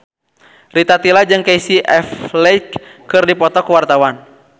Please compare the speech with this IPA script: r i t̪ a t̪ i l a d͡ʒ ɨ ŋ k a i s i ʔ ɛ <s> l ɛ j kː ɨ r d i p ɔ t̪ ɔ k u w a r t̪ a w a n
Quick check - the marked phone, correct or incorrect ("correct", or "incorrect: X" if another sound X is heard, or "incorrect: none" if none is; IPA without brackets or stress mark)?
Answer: incorrect: f